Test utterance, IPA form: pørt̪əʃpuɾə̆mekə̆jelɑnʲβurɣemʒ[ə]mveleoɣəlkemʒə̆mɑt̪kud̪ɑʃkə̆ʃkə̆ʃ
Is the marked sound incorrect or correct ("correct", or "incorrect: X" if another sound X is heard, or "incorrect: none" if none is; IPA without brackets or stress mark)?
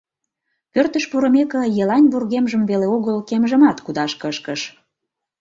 correct